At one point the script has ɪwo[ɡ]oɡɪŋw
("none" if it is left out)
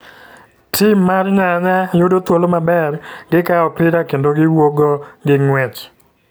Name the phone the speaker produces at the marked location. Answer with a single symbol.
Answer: ɡ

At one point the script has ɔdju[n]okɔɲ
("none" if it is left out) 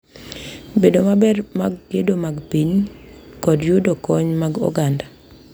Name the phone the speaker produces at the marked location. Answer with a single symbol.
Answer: d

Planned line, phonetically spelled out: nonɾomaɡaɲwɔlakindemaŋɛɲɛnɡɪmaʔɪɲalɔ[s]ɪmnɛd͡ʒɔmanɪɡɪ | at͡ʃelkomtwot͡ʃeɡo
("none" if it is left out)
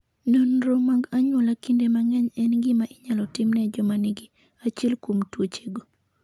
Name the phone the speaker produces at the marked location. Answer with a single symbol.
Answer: t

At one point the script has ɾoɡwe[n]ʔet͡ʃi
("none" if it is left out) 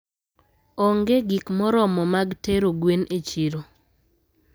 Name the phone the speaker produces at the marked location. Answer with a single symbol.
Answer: n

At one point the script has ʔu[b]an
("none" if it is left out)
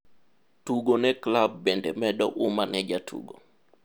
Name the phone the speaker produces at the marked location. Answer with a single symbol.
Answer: m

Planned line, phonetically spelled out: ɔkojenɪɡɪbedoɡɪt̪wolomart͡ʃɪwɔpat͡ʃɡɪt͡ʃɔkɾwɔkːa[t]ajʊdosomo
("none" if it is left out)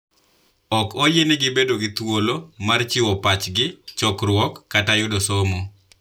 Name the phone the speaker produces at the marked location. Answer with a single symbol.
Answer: t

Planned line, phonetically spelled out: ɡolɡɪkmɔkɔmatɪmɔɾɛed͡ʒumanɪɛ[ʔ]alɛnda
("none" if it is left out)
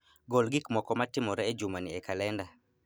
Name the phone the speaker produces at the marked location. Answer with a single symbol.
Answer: k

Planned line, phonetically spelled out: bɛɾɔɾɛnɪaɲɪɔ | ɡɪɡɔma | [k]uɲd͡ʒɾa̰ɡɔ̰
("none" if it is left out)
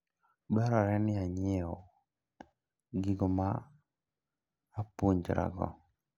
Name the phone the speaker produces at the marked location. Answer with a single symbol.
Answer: p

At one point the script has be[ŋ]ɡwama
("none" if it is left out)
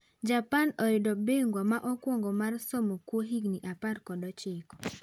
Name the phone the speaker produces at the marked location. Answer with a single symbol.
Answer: ŋ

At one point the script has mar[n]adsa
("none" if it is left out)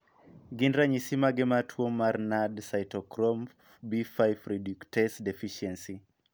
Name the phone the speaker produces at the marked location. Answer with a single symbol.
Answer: n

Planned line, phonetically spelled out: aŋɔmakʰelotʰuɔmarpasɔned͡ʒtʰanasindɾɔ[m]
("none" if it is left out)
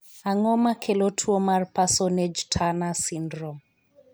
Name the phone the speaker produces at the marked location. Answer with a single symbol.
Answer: m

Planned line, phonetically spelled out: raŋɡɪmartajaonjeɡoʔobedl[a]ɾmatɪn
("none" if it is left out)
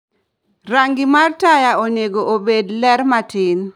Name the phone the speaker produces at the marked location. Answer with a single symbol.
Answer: ɛ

